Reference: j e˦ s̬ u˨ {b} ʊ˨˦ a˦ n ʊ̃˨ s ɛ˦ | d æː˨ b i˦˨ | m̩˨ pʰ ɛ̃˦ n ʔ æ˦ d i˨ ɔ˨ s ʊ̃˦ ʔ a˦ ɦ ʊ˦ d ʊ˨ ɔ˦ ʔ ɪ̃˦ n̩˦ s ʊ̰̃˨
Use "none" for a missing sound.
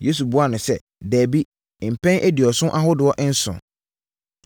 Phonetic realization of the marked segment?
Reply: b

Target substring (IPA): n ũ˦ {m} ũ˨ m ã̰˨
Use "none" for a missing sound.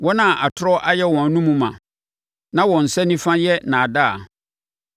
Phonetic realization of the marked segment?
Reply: m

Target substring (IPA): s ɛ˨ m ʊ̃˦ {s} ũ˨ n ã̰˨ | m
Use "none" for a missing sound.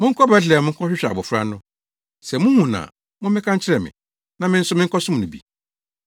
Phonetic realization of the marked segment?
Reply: h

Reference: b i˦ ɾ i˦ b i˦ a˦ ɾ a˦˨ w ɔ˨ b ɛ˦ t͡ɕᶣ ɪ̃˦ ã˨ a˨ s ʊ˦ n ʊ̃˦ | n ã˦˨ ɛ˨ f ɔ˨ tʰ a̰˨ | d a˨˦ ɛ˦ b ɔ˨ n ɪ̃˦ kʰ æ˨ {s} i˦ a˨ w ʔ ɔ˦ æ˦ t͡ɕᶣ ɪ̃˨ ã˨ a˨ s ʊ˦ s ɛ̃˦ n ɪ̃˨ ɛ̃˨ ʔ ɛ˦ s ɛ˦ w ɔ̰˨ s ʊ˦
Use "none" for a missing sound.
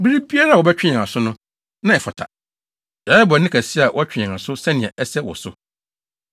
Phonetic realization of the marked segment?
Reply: s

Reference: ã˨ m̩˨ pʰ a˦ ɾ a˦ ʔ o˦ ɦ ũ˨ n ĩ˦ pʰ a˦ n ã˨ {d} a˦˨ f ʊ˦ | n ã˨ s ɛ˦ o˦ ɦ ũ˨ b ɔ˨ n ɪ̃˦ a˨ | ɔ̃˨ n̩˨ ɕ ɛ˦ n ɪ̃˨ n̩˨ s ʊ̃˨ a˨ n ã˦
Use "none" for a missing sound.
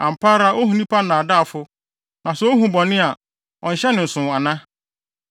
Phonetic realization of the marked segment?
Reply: d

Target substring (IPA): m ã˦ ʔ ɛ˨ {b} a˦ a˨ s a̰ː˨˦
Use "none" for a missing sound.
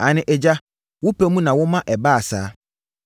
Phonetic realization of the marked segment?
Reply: b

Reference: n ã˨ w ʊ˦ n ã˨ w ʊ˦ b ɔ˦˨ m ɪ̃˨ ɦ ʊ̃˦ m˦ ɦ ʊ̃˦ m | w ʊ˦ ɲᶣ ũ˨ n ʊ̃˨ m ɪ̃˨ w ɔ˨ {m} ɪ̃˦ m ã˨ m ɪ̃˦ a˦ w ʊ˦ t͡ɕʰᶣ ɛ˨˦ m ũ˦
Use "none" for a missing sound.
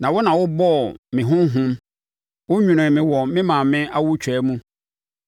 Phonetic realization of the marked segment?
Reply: m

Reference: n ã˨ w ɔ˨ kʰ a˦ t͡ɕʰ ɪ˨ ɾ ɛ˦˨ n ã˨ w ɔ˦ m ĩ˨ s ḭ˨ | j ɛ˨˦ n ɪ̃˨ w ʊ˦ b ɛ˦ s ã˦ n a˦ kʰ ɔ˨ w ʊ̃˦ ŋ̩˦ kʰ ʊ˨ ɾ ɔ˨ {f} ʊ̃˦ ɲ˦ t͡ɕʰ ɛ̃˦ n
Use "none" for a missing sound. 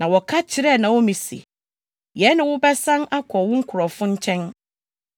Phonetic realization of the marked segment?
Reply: f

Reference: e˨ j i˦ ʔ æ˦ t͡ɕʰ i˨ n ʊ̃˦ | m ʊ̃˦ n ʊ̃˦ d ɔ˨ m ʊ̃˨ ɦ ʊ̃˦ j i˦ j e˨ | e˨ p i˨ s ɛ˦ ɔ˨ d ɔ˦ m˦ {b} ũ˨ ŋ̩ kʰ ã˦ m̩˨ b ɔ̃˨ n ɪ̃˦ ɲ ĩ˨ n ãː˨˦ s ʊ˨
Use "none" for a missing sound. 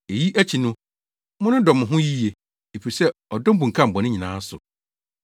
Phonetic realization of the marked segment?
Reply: b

